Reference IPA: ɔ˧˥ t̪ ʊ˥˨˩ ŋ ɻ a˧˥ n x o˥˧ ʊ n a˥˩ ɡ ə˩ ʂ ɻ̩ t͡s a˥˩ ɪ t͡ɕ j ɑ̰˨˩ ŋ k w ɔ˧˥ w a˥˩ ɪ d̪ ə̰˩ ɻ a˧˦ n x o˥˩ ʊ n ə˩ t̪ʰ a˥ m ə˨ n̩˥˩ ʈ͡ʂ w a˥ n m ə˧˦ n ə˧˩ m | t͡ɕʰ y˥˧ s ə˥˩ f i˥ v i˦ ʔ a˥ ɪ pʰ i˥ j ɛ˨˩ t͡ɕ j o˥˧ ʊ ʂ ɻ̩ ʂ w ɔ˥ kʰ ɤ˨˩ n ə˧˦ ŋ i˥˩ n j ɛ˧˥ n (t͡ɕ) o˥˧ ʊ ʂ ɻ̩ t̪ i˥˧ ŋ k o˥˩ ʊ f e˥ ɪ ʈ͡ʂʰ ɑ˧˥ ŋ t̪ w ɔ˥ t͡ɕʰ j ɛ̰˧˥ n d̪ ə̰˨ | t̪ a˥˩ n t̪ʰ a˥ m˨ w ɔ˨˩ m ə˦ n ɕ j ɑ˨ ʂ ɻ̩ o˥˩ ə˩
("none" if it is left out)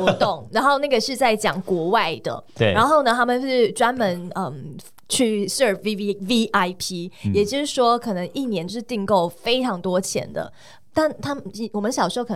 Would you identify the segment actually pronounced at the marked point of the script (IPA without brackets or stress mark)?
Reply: t͡ɕ